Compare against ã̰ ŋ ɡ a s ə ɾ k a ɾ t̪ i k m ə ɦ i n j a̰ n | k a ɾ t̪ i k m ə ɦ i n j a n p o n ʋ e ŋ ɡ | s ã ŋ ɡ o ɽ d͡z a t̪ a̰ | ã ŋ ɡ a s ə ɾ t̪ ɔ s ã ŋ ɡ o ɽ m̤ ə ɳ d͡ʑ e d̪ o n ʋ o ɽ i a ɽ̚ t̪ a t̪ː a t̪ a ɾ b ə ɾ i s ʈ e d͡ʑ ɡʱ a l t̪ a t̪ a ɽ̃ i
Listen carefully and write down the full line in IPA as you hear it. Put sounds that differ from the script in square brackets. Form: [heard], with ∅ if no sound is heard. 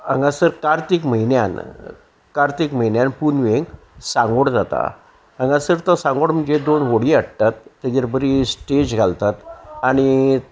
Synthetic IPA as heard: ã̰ ŋ ɡ a s ə ɾ k a ɾ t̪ i k m ə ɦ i n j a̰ n | k a ɾ t̪ i k m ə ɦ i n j a n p [u] n ʋ e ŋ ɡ | s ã ŋ ɡ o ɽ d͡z a t̪ a̰ | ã ŋ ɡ a s ə ɾ t̪ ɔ s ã ŋ ɡ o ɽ m̤ ə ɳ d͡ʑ e d̪ o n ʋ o ɽ i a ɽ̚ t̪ a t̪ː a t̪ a ɾ b ə ɾ i s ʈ e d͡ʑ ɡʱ a l t̪ a t̪ a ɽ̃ i